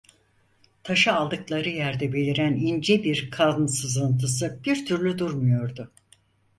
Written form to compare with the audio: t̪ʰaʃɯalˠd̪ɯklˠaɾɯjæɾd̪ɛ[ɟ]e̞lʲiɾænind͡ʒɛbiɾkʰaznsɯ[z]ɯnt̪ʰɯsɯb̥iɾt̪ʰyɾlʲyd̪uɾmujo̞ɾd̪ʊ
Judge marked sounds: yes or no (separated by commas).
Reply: no, yes